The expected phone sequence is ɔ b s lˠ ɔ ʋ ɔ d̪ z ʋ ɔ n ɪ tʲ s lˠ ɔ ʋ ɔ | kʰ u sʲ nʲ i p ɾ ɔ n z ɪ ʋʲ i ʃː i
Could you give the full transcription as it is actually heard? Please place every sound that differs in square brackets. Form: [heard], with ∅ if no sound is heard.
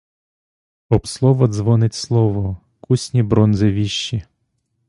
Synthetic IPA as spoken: ɔ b s lˠ ɔ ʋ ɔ d̪ z ʋ ɔ n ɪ tʲ s lˠ ɔ ʋ ɔ | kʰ u sʲ nʲ i [b] ɾ ɔ n z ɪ ʋʲ i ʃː i